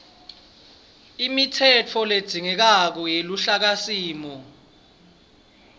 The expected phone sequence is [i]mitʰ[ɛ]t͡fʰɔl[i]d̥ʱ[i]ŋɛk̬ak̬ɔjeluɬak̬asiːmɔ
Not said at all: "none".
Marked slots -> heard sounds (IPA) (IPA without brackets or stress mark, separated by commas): i, ɛ, e, i